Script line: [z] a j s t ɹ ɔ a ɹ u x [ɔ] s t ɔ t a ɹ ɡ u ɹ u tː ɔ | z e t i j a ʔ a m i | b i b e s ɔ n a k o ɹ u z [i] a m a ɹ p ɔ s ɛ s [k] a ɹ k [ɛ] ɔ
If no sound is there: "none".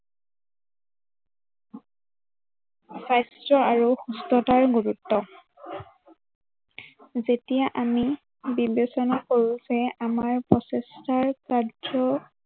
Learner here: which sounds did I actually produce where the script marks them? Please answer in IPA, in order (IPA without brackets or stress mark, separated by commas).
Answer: s, u, ɛ, t, a